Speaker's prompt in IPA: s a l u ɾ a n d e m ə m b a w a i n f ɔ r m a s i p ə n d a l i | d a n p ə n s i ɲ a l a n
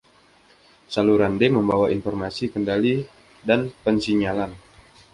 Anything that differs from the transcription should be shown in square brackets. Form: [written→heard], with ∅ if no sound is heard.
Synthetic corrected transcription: s a l u ɾ a n d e m ə m b a w a i n f ɔ r m a s i [p→k] ə n d a l i | d a n p ə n s i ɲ a l a n